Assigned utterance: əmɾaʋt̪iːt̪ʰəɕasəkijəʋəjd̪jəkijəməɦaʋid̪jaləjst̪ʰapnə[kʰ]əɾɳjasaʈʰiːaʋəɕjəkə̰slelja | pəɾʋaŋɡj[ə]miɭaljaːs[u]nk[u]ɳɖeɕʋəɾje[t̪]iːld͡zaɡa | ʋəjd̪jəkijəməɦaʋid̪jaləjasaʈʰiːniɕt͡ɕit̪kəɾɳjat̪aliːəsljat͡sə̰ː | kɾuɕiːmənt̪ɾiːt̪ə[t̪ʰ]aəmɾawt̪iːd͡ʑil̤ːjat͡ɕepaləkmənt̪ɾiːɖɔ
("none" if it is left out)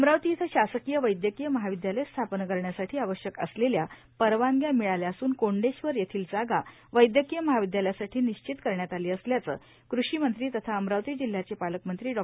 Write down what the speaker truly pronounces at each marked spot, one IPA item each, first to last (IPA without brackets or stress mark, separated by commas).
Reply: k, a, uː, o, t̪ʰ, t̪ʰ